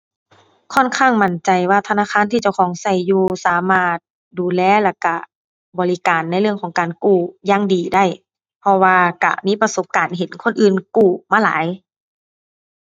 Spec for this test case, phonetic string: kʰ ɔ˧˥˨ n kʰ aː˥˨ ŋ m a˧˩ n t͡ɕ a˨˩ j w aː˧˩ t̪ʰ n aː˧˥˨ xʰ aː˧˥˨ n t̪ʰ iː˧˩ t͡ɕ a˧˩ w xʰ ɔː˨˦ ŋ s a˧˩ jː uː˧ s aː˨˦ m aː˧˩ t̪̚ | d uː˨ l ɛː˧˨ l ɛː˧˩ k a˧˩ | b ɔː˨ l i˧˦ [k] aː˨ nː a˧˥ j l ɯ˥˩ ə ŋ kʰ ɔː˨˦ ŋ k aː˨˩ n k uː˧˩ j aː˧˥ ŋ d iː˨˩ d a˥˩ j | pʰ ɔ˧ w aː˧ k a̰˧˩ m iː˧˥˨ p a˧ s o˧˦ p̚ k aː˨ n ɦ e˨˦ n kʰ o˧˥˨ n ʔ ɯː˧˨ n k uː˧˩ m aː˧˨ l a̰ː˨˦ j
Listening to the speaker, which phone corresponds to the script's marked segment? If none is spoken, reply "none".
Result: k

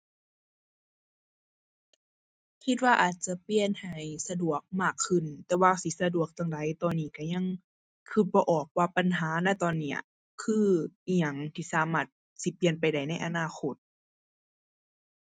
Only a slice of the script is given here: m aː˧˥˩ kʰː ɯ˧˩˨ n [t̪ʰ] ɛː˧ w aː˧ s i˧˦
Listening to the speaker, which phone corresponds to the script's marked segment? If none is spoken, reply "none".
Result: t̪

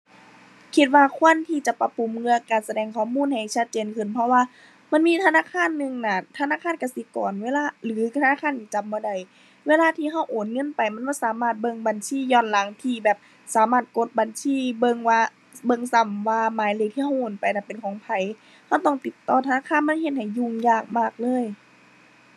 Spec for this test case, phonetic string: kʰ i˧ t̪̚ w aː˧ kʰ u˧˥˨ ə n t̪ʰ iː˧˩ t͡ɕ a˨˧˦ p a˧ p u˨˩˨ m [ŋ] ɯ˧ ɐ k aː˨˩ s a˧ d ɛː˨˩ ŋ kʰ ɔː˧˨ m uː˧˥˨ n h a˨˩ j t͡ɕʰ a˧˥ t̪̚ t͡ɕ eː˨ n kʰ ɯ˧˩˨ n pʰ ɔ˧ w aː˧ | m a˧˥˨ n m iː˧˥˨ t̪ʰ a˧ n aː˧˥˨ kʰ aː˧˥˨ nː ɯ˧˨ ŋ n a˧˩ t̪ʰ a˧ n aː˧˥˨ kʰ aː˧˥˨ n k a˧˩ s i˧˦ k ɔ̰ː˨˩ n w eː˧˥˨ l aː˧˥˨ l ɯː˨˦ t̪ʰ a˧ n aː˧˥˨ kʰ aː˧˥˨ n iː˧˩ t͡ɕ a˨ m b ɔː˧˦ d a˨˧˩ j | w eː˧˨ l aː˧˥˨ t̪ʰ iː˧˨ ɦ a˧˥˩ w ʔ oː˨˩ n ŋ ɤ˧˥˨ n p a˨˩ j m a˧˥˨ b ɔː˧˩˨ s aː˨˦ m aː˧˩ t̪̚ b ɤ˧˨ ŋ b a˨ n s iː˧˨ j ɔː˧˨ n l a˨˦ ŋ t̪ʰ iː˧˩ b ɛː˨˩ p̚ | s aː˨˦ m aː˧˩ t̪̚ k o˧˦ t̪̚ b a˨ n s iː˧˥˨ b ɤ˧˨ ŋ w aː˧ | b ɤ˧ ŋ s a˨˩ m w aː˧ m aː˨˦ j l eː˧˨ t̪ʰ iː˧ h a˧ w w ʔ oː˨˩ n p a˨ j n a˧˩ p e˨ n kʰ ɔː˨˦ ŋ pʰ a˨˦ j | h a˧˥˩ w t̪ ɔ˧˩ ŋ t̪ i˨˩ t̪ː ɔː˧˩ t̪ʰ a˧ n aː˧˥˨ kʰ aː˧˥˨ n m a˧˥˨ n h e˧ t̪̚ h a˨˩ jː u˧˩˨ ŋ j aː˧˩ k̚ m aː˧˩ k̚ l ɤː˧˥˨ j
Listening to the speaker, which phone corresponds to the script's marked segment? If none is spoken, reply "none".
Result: ŋ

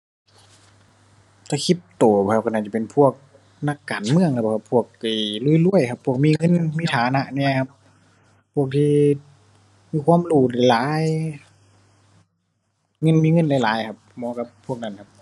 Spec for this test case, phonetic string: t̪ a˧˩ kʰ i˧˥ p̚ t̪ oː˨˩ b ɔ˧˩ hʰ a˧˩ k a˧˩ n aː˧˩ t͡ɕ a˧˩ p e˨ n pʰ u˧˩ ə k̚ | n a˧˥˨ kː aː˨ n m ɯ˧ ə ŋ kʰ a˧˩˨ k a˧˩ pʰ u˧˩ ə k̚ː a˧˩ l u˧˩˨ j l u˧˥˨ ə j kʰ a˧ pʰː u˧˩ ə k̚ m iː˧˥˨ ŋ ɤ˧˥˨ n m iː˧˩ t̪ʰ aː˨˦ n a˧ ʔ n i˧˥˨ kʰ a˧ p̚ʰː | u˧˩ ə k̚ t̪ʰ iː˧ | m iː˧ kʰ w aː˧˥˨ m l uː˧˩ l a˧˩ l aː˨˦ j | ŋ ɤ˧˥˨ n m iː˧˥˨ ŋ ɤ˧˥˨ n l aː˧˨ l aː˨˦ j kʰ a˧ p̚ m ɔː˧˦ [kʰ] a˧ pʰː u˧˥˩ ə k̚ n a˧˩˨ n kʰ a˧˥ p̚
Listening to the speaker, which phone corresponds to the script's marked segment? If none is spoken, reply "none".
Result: k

